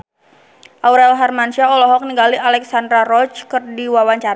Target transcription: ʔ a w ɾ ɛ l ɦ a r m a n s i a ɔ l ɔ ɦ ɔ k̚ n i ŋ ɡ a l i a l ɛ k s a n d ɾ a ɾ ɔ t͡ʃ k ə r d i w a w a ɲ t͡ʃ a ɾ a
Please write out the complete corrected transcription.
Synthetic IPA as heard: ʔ a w ɾ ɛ l ɦ a r m a n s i a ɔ l ɔ ɦ ɔ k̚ n i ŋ ɡ a l i a l ɛ k s a n d ɾ a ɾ ɔ t͡ʃ k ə r d i w a w a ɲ t͡ʃ a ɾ a